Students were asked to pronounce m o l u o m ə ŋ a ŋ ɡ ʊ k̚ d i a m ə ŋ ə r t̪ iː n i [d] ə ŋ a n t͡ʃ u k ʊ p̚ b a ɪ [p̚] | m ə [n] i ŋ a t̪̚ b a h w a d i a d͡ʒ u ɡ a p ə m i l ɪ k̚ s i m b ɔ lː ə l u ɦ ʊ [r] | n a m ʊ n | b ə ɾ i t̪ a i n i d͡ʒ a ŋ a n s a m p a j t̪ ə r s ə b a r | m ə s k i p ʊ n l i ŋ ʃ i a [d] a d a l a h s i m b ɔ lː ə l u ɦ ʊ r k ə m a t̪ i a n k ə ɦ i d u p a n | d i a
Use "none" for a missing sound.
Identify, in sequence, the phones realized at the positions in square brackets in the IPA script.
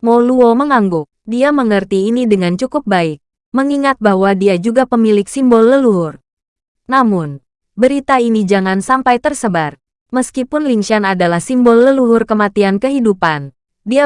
d, k̚, ŋ, r, n

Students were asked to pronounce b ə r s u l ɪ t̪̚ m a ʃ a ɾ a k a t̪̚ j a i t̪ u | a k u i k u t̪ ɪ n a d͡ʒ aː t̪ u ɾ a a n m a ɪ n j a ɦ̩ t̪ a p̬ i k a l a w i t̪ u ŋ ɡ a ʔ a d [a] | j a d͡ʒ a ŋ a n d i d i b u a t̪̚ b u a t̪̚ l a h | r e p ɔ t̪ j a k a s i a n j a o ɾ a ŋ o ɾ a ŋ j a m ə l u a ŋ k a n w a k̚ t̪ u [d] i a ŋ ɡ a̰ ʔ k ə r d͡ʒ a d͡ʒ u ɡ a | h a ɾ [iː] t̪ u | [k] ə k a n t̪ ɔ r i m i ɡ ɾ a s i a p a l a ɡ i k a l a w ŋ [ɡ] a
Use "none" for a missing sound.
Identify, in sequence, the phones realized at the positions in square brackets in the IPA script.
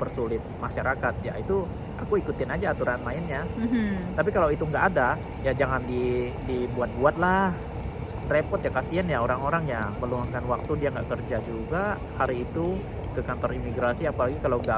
a, d, iː, k, ɡ

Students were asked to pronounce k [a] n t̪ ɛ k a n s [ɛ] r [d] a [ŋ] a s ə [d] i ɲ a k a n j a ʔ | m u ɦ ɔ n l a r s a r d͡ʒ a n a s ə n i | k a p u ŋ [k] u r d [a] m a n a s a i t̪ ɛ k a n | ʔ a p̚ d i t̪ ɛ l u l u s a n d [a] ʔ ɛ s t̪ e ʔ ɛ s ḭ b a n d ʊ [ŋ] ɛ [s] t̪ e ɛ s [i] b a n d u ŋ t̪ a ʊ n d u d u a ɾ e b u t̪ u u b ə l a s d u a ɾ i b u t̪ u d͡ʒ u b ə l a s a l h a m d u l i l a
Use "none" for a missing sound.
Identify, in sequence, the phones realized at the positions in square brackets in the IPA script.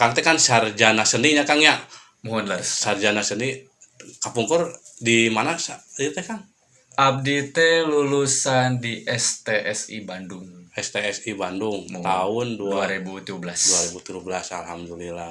a, a, d͡ʒ, n, n, k, i, i, ŋ, s, i

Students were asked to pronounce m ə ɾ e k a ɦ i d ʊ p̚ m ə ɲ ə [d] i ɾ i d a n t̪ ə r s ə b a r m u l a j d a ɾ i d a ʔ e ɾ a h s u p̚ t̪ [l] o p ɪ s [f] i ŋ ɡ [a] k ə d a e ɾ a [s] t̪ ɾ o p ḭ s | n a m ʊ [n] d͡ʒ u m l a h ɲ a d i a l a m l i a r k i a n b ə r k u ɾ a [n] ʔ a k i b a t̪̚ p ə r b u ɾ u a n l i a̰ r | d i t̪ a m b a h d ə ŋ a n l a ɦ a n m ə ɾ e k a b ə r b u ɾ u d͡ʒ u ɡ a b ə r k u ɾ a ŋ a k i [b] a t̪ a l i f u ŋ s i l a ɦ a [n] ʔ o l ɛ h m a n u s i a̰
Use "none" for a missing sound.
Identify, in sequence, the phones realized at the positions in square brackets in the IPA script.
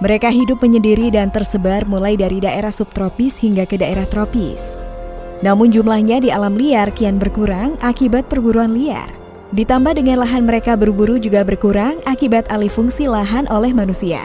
d, ɾ, h, a, h, n, ŋ, b, n

